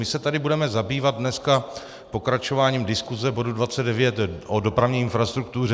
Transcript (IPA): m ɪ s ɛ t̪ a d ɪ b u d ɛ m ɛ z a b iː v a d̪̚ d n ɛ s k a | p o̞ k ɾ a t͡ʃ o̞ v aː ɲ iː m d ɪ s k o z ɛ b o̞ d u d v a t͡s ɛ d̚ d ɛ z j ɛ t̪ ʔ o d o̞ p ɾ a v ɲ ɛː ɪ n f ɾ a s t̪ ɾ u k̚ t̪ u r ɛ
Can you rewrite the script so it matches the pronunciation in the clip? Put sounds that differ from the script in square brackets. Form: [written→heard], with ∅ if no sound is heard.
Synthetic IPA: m ɪ s ɛ t̪ a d ɪ b u d ɛ m ɛ z a b iː v a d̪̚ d n ɛ s k a | p o̞ k ɾ a t͡ʃ o̞ v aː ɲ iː m d ɪ s k [o→u] z ɛ b o̞ d u d v a t͡s ɛ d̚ d ɛ [z→v] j ɛ t̪ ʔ o d o̞ p ɾ a v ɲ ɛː ɪ n f ɾ a s t̪ ɾ u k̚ t̪ u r ɛ